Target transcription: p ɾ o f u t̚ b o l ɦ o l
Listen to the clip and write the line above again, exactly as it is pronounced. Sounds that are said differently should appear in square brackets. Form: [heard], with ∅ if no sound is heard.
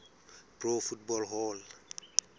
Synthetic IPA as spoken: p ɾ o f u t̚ b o l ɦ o l